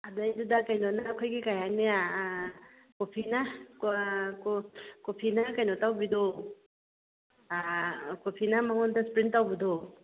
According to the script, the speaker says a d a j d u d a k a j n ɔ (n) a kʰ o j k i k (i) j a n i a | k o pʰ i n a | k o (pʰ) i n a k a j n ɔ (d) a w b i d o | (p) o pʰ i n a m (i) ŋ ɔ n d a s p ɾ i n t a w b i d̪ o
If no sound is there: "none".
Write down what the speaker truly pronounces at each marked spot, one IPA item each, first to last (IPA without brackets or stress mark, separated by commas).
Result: n, a, pʰ, t, k, a